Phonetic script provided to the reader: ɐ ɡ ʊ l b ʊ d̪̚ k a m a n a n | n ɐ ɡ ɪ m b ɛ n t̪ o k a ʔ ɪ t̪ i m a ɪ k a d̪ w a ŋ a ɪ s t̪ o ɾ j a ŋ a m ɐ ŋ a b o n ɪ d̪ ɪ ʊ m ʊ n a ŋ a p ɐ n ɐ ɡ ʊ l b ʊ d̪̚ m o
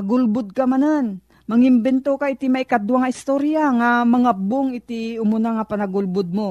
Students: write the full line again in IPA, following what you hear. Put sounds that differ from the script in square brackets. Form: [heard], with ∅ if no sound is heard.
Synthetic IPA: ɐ ɡ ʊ l b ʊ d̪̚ k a m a n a n | [m] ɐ [ŋ] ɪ m b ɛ n t̪ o k a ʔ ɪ t̪ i m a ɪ k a d̪ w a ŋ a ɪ s t̪ o ɾ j a ŋ a m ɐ ŋ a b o [ŋ] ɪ [t̪] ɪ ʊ m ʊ n a ŋ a p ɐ n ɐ ɡ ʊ l b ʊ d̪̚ m o